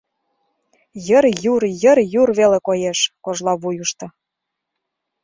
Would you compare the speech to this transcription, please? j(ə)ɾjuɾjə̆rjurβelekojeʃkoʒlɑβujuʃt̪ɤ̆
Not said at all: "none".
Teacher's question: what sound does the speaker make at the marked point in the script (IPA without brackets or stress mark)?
ə